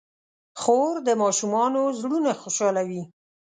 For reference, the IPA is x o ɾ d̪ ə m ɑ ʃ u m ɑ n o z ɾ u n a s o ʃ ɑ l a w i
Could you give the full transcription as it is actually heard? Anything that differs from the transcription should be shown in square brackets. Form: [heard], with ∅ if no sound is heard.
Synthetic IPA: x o ɾ d̪ ə m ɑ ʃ u m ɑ n o z [ɽ] u n a [x] o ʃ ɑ l a w i